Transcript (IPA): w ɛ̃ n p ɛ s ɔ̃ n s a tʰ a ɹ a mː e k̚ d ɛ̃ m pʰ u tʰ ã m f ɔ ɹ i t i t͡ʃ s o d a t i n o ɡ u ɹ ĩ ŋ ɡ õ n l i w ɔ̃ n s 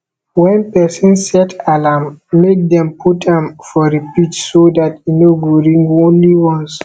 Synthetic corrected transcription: w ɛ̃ n p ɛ s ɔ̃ n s ɛ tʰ a l a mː e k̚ d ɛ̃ m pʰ u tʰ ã m f ɔ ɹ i p i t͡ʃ s o d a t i n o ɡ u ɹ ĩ ŋ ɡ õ n l i w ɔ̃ n s